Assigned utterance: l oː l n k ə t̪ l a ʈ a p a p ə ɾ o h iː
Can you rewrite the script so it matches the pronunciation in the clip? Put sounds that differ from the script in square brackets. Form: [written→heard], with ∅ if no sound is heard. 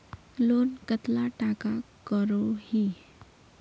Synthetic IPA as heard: l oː [l→∅] n k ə t̪ l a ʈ a [p→k] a [p→k] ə ɾ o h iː